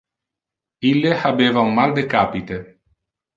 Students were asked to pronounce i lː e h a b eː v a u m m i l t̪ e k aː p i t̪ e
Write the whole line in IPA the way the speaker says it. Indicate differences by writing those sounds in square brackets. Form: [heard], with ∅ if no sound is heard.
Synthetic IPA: i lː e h a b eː v a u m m [a] l [d̪] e k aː p i t̪ e